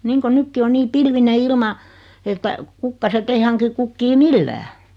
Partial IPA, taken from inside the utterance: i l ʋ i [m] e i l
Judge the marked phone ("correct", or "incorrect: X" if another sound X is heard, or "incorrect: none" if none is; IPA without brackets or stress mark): incorrect: n